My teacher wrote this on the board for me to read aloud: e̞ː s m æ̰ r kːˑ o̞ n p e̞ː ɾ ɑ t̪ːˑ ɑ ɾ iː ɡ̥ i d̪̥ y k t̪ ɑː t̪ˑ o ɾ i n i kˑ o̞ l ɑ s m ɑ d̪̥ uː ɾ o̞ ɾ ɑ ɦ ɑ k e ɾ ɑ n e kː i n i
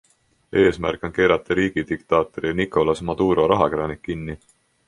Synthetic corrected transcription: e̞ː s m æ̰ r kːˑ o̞ n k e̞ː ɾ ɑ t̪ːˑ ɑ ɾ iː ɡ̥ i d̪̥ i k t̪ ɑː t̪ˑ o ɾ i n i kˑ o̞ l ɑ s m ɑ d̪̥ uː ɾ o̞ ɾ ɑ ɦ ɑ k e ɾ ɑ n i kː i nː i